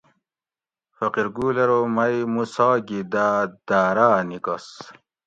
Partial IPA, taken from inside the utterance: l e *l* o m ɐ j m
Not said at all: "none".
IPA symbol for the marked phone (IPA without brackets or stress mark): ɾ